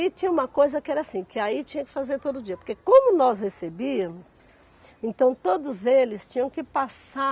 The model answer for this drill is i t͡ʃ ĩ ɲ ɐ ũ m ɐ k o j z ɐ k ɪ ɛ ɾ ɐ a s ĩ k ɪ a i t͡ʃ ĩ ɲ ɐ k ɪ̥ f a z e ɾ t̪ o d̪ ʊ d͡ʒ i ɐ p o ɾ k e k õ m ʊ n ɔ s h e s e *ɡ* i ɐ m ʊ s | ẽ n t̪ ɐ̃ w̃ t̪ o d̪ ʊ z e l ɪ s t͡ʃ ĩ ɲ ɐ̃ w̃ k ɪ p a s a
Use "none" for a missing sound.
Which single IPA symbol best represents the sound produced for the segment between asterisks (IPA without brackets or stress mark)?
b